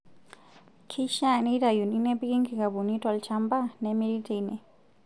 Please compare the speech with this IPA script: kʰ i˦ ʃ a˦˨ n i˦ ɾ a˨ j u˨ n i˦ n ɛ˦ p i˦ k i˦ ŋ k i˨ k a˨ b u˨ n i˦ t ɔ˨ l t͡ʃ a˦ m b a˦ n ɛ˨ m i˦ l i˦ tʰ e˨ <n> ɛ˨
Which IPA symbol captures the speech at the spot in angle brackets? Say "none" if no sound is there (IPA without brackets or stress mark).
n